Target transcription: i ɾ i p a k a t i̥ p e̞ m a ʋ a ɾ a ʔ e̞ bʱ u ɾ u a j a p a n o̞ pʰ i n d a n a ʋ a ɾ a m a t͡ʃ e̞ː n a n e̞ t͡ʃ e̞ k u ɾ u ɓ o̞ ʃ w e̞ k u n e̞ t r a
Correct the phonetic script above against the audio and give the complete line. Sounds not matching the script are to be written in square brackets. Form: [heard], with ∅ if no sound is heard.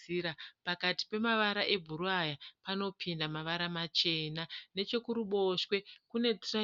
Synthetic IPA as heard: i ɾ [a] p a k a t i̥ p e̞ m a ʋ a ɾ a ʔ e̞ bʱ u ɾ u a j a p a n o̞ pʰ i n d a [m] a ʋ a ɾ a m a t͡ʃ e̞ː n a n e̞ t͡ʃ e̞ k u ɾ u ɓ o̞ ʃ w e̞ k u n e̞ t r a